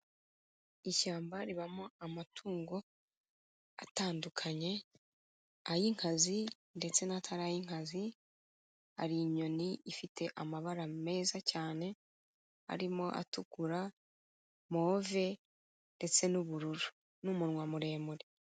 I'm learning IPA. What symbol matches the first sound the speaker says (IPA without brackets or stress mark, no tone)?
i